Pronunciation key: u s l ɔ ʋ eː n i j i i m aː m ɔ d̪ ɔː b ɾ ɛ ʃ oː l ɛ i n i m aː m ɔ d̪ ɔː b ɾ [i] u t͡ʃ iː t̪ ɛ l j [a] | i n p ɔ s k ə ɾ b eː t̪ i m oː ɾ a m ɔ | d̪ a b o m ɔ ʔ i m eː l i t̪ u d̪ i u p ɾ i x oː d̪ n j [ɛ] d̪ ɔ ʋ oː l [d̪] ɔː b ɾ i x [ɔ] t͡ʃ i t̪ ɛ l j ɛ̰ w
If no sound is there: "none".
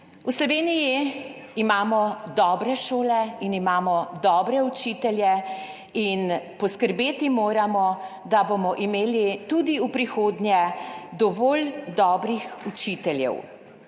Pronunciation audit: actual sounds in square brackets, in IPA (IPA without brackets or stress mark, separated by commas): ɛ, ɛ, ɛ, d̪, u